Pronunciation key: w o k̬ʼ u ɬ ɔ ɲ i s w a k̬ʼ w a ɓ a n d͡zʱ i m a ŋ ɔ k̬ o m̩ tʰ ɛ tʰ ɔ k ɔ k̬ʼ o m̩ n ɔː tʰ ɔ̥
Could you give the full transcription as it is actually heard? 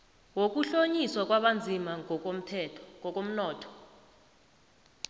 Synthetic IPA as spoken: w o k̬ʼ u ɬ o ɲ i s w a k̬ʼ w a ɓ a n d͡zʱ i m a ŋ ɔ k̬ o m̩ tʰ ɛ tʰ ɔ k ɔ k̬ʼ o m̩ n ɔː tʰ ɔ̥